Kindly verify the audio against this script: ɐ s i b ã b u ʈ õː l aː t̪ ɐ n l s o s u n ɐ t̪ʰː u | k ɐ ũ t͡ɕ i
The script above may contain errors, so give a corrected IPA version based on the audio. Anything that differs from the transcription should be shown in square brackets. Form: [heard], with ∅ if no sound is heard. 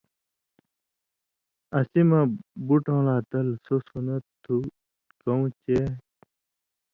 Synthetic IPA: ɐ s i [m] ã b u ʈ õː l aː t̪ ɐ [∅] l s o s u n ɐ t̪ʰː u | k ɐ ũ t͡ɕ [e]